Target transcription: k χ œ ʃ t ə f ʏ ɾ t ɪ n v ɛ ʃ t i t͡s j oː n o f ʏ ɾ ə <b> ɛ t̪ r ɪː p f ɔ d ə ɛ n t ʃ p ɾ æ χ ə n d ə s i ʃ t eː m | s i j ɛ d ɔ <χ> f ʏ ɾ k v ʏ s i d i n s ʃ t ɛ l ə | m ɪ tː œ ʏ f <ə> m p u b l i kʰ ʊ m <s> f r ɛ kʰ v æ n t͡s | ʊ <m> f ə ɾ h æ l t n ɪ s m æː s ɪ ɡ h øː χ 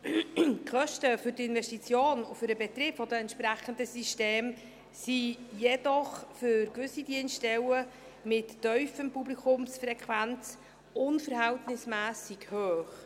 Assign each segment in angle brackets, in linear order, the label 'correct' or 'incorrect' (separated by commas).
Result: correct, correct, correct, correct, incorrect